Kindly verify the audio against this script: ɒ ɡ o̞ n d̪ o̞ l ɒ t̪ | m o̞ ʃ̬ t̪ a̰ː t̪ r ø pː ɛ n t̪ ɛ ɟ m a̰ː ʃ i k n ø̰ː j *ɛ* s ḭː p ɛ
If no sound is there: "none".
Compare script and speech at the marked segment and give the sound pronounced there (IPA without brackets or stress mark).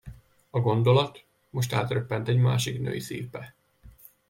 i